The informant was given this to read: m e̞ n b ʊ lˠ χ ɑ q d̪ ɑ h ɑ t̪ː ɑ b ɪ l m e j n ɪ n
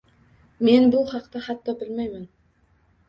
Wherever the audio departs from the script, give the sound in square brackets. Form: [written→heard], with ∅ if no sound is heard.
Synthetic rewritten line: m e̞ n b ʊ lˠ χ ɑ q [d̪→t̪] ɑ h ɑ t̪ː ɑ b ɪ l m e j [n→m] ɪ n